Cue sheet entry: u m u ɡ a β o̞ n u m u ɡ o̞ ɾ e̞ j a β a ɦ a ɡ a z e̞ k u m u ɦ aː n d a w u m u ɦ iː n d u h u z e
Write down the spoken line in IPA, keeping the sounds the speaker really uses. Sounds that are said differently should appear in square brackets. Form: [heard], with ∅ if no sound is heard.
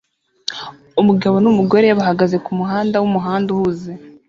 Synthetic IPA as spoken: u m u ɡ a β o̞ n u m u ɡ o̞ ɾ e̞ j a β a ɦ a ɡ a z e̞ k u m u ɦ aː n d a w u m u ɦ [aː] n d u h u z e